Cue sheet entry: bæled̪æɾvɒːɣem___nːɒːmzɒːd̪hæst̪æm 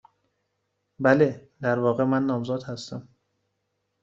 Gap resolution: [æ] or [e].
æ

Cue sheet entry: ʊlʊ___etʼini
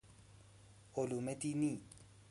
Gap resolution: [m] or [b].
m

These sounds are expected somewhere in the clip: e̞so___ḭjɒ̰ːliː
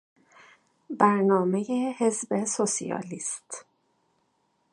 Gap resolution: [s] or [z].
s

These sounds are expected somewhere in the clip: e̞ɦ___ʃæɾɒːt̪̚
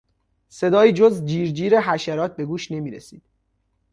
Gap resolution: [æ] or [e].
æ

